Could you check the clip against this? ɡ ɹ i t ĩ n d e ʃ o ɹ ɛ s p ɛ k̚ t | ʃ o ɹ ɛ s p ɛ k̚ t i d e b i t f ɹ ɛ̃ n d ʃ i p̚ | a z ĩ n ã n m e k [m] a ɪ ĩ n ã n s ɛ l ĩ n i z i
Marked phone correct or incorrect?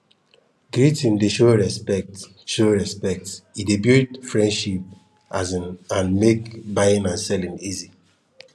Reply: incorrect